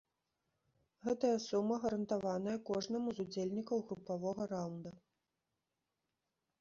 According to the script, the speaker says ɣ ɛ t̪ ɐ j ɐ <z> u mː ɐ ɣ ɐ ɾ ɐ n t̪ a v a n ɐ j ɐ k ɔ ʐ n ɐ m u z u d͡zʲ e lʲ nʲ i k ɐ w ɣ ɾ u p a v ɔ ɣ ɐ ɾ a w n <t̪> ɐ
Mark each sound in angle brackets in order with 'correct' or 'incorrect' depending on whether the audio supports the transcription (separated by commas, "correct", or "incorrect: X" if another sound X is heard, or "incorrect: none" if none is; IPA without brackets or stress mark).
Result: incorrect: s, incorrect: d̪